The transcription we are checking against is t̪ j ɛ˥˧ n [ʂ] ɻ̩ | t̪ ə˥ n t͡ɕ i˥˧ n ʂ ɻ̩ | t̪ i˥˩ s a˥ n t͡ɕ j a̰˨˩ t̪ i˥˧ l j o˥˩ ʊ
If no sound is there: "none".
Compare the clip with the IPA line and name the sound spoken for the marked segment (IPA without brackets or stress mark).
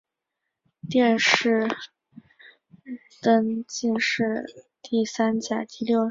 ʂ